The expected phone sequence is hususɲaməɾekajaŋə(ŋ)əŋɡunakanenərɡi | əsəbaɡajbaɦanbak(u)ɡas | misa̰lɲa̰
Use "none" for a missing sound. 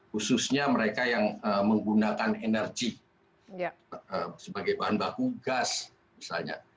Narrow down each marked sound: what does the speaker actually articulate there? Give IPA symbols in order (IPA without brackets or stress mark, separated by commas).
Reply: m, u